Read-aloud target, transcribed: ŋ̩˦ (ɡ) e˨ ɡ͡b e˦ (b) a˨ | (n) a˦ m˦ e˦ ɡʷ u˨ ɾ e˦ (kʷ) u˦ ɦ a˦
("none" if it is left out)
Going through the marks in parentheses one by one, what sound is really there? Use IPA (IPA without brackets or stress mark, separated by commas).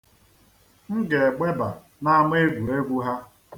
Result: ɡ, b, n, ɡʷ